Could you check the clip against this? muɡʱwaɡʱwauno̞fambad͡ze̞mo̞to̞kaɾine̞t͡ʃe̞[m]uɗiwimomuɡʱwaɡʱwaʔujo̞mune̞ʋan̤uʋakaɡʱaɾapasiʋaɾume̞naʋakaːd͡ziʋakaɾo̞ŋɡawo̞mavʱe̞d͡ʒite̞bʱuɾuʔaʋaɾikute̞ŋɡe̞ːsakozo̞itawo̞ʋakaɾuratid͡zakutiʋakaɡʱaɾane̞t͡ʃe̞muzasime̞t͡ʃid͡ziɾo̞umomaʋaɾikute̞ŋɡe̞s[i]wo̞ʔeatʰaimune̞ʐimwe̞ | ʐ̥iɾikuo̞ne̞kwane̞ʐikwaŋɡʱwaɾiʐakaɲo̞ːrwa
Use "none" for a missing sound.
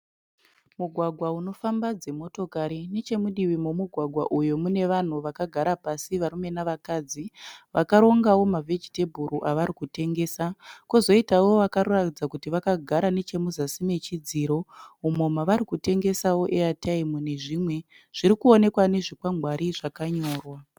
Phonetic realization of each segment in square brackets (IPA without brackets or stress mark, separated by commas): m, a